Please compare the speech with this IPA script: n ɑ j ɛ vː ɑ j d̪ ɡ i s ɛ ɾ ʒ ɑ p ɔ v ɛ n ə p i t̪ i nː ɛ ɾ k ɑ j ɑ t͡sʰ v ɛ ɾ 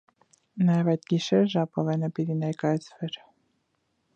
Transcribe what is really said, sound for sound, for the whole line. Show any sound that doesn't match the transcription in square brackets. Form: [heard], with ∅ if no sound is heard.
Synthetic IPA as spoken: n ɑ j ɛ [v] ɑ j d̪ ɡ i [ʃ] ɛ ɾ ʒ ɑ p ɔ v ɛ n ə p i t̪ i [n] ɛ ɾ k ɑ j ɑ t͡sʰ v ɛ ɾ